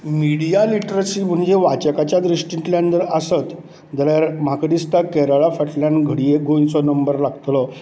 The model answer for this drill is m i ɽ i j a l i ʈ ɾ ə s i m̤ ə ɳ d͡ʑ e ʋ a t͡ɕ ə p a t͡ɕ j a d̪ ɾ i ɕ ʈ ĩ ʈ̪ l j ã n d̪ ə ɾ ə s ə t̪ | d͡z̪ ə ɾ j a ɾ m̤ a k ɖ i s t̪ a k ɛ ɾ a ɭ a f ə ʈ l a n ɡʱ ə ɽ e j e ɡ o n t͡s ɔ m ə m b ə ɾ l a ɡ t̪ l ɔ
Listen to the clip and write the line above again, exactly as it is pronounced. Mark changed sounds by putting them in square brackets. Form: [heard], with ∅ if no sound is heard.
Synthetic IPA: m i ɽ i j a l i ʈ ɾ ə s i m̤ ə ɳ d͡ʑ e ʋ a t͡ɕ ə [k] a t͡ɕ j a d̪ ɾ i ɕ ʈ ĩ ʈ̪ l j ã n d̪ ə ɾ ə s ə t̪ | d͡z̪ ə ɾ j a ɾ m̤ a k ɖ i s t̪ a k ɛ ɾ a ɭ a f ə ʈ l a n ɡʱ ə ɽ [i] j e ɡ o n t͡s ɔ [n] ə m b ə ɾ l a ɡ t̪ l ɔ